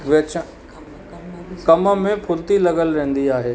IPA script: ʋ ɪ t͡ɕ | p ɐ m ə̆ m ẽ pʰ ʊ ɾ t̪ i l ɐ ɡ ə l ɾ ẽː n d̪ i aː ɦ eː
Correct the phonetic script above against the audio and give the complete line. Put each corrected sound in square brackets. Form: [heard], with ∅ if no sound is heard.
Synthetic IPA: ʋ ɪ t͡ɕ | [k] ɐ m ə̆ m ẽ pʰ ʊ [l] t̪ i l ɐ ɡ ə l ɾ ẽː n d̪ i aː ɦ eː